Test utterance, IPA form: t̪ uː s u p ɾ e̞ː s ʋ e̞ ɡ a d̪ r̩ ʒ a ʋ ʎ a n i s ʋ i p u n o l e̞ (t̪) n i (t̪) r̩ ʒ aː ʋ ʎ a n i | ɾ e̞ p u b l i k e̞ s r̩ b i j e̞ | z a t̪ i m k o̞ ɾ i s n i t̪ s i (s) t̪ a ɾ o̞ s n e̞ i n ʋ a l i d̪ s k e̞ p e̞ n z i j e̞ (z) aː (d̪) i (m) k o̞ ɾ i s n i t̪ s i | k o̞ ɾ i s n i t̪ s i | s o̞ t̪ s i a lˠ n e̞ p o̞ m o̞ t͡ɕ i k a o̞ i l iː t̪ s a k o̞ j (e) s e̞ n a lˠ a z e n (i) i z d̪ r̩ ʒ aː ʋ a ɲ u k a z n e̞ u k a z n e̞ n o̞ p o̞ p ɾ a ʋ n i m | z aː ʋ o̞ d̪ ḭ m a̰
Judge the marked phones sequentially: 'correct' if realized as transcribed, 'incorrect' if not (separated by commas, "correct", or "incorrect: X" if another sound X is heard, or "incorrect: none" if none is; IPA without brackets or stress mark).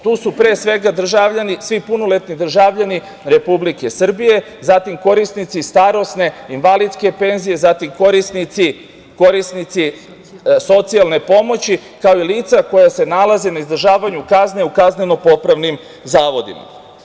correct, incorrect: d̪, correct, correct, incorrect: t̪, correct, incorrect: a, incorrect: a